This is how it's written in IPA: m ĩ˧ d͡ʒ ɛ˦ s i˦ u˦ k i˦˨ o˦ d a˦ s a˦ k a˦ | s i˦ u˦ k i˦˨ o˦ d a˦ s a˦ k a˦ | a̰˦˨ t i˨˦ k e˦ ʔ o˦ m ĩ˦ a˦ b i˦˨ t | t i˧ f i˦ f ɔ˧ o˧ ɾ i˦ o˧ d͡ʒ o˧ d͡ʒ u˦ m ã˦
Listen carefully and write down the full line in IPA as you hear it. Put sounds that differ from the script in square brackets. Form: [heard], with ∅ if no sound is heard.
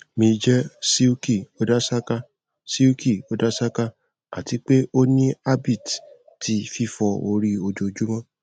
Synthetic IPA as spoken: m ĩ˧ d͡ʒ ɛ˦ s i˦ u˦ k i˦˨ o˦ d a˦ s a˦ k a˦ | s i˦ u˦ k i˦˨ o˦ d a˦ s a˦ k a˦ | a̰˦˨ t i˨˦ [k͡p] e˦ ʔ o˦ [n] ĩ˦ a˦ b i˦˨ t | t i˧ f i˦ f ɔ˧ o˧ ɾ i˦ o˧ d͡ʒ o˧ d͡ʒ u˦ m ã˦